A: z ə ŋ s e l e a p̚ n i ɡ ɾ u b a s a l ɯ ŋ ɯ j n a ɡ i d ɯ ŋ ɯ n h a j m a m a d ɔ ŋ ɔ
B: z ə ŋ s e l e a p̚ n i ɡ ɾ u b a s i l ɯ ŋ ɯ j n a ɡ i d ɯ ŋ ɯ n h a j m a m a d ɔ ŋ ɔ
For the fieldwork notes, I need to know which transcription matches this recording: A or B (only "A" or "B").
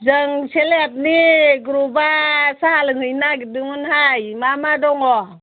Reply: A